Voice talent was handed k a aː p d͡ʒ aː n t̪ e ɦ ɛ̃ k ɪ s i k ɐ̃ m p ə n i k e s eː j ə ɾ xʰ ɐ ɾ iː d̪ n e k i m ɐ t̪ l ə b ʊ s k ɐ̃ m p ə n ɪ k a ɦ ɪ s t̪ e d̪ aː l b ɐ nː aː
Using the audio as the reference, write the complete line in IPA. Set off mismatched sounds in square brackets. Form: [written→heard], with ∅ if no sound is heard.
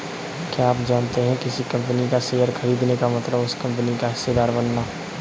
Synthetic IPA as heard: k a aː p d͡ʒ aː n t̪ e ɦ ɛ̃ k ɪ s i k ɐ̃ m p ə n i k [e→a] s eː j ə ɾ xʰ ɐ ɾ iː d̪ n e k [i→a] m ɐ t̪ l ə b ʊ s k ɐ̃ m p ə n [ɪ→i] k a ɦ ɪ s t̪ e d̪ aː [l→ɾ] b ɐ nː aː